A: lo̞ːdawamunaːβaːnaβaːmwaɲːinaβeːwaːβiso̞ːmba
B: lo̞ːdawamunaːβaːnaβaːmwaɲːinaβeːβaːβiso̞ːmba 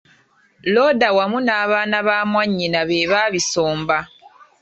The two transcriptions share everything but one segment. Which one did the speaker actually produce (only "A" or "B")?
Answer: B